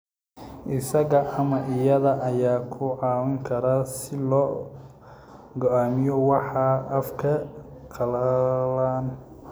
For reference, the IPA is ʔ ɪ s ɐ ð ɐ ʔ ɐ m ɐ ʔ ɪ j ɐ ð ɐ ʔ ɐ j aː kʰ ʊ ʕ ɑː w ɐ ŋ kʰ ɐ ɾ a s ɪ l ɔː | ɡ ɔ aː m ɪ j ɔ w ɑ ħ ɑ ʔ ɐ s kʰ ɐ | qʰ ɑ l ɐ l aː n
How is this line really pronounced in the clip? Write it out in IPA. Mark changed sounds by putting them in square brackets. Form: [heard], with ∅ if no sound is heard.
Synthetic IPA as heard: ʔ ɪ s ɐ [ɣ] ɐ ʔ ɐ m ɐ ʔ ɪ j ɐ ð ɐ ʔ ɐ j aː kʰ ʊ ʕ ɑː w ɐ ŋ kʰ ɐ ɾ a s ɪ l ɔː | ɡ ɔ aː m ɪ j ɔ w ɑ ħ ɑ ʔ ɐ [f] kʰ ɐ | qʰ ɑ l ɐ l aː n